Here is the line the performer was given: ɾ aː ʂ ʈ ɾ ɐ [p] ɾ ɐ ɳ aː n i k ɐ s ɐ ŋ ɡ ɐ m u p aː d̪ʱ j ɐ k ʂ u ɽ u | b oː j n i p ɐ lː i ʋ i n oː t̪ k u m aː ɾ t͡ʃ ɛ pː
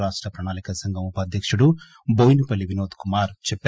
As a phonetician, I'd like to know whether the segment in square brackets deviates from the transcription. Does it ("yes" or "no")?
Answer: no